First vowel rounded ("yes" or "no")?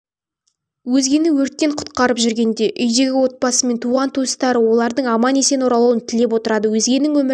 yes